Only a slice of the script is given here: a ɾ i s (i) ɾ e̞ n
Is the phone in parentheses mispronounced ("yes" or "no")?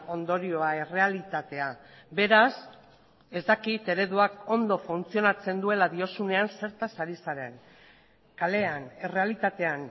yes